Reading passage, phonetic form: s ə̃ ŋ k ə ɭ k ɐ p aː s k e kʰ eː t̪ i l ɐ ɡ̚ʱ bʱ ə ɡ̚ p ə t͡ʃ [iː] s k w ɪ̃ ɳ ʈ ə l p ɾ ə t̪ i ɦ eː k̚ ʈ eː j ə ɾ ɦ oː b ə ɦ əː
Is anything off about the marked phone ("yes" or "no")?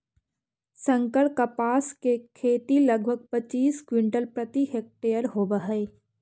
no